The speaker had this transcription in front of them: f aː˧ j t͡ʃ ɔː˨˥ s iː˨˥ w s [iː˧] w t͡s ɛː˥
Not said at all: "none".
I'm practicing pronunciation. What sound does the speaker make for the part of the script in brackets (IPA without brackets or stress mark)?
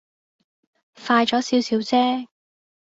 iː˨˥